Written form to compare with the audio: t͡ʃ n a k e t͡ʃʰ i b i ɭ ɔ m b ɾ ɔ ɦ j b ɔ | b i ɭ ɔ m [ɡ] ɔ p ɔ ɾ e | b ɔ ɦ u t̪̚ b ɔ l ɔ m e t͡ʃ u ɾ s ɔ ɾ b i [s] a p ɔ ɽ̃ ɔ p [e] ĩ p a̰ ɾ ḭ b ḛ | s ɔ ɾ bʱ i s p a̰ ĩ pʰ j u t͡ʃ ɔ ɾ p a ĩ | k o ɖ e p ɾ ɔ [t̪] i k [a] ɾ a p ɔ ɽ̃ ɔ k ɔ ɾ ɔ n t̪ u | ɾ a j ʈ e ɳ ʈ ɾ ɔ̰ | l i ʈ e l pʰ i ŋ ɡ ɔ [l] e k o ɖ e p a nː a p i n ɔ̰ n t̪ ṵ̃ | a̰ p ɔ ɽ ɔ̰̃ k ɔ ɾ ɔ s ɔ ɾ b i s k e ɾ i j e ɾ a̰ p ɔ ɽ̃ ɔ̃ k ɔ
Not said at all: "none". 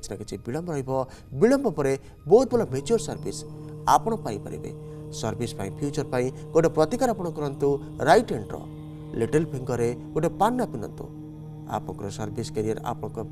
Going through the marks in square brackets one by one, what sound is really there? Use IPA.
b, s, a, t̪, a, ɾ

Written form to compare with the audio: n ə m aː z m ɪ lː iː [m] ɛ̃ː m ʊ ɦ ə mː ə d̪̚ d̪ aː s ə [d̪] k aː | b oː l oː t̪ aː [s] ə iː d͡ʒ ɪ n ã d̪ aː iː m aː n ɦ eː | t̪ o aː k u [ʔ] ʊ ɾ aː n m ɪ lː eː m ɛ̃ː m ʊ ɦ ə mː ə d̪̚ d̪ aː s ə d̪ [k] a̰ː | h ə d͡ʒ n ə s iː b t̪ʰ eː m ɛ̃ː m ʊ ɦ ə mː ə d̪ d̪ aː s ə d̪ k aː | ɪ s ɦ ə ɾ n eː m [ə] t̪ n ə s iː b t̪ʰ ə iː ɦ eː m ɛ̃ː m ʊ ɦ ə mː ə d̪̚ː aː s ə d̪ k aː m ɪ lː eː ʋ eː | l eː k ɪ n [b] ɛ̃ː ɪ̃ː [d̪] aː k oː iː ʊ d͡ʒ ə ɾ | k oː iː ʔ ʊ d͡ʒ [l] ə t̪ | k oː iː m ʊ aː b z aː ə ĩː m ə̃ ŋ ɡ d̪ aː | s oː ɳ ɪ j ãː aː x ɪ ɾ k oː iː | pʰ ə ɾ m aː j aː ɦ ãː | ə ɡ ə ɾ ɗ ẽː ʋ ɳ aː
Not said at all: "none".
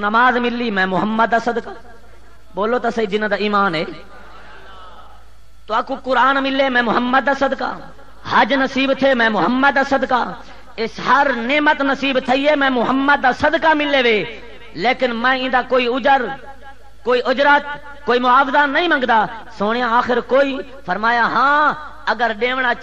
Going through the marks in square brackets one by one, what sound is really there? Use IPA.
m, d̪, s, k, k, ə, m, d̪, ɾ

